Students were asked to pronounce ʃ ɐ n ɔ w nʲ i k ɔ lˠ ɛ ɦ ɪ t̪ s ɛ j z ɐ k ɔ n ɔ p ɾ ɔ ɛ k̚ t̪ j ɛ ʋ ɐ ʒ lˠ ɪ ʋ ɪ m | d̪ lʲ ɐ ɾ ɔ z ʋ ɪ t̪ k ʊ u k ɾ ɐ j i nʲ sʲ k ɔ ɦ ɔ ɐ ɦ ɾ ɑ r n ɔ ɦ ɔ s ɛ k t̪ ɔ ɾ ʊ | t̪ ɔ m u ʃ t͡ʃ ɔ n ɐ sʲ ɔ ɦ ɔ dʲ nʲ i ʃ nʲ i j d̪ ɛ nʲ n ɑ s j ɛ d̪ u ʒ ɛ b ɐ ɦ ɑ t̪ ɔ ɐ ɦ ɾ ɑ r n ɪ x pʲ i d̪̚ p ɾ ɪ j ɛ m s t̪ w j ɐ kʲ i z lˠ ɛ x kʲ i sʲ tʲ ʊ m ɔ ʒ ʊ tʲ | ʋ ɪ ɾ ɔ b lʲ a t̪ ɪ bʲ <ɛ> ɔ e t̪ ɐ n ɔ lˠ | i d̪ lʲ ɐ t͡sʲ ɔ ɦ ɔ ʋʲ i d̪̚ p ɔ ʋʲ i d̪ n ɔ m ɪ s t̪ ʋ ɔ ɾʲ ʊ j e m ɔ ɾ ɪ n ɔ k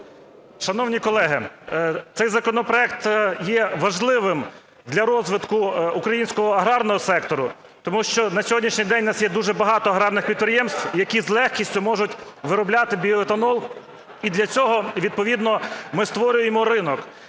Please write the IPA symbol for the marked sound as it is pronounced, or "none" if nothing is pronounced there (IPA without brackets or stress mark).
i